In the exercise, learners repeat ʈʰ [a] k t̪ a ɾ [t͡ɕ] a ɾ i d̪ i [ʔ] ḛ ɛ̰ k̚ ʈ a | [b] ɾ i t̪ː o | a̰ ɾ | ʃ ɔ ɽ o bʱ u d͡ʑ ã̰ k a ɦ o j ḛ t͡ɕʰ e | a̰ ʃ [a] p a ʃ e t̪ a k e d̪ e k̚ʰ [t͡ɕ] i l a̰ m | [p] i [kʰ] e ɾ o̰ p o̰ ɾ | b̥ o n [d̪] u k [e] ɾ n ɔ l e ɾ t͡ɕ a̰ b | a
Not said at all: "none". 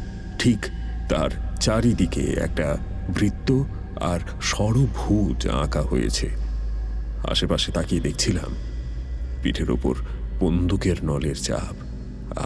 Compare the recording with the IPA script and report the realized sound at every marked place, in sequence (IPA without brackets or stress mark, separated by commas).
i, t͡ɕ, k, b, e, t͡ɕʰ, p, ʈʰ, d̪, e